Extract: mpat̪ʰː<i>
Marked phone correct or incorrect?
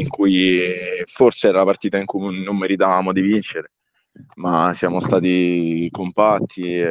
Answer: correct